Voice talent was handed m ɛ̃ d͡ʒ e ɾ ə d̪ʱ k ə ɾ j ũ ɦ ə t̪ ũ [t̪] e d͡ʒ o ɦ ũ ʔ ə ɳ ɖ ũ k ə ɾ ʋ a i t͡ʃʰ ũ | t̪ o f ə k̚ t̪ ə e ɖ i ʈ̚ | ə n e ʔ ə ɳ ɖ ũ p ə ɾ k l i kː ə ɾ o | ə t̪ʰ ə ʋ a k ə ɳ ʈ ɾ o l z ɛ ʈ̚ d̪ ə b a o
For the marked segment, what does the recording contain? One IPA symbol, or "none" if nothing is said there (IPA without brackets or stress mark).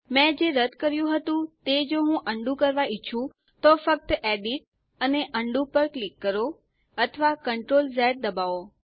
t̪